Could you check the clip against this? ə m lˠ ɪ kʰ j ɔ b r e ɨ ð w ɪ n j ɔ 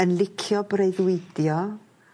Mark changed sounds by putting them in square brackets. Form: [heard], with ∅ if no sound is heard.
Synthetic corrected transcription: ə [n] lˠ ɪ kʰ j ɔ b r e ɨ ð w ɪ [d] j ɔ